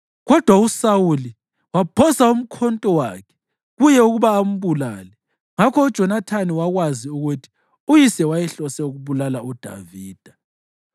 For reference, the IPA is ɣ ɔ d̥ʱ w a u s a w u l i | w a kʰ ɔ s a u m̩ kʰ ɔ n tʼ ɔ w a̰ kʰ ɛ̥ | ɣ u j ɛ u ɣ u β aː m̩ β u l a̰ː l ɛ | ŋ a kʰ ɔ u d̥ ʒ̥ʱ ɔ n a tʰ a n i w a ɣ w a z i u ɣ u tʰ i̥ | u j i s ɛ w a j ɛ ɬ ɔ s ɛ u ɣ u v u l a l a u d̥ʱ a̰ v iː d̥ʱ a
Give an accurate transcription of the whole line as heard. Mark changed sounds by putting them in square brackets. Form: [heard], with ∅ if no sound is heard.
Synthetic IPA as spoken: ɣ ɔ d̥ʱ w a u s a w u l i | w a [pʰ] ɔ s a u m̩ kʰ ɔ n tʼ ɔ w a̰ kʰ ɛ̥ | ɣ u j ɛ u ɣ u β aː m̩ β u l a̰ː l ɛ | ŋ a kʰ ɔ u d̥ ʒ̥ʱ ɔ n a tʰ a n i w a ɣ w a z i u ɣ u tʰ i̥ | u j i s ɛ w a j ɛ ɬ ɔ s ɛ u ɣ u [β] u l a l a u d̥ʱ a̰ v iː d̥ʱ a